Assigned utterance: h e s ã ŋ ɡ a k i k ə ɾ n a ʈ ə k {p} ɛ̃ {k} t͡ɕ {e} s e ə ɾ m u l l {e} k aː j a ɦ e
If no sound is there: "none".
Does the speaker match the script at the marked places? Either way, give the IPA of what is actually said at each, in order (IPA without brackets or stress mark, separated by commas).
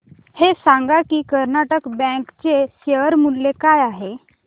b, k, e, e